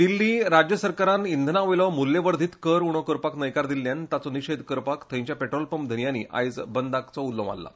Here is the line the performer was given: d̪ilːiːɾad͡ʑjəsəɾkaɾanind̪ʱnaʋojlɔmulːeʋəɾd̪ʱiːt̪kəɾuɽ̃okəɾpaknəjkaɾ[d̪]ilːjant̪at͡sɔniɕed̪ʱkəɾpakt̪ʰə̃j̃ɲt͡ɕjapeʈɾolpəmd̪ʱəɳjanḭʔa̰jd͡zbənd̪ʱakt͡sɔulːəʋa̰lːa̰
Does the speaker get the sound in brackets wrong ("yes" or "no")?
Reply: no